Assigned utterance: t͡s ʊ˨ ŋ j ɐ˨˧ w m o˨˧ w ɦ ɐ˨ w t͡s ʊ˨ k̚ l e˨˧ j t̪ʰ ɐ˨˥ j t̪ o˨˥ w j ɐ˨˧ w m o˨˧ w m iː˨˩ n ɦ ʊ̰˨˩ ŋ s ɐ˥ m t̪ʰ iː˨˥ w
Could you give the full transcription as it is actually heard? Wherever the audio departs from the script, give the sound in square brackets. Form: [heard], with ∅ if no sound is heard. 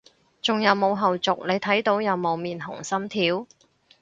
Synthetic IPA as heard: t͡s ʊ˨ ŋ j ɐ˨˧ w m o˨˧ w ɦ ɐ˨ w t͡s ʊ˨ k̚ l e˨˧ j t̪ʰ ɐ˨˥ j t̪ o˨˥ w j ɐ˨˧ w m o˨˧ w m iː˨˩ n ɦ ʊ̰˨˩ ŋ s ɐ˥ m t̪ʰ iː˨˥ w